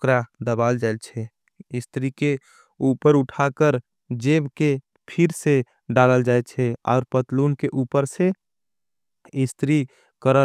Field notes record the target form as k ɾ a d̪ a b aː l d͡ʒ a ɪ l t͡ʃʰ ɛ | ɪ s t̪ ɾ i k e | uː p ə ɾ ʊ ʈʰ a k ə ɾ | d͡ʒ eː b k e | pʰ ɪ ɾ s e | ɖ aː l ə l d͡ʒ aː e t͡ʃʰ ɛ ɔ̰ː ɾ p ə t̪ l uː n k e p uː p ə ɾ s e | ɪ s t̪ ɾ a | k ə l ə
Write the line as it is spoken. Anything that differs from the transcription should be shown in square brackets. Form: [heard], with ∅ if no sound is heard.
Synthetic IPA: k ɾ a d̪ [ə] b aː l d͡ʒ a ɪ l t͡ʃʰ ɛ | ɪ s t̪ ɾ i k e | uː p ə ɾ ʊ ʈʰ a k ə ɾ | d͡ʒ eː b k e | pʰ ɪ ɾ s e | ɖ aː l ə l d͡ʒ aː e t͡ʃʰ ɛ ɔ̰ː ɾ p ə t̪ l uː n k e [ʔ] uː p ə ɾ s e | ɪ s t̪ ɾ [i] | k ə [ɾ] ə